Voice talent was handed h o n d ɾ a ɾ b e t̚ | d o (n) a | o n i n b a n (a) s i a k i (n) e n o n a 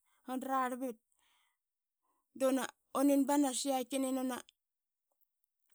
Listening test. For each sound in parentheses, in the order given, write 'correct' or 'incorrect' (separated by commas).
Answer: correct, correct, correct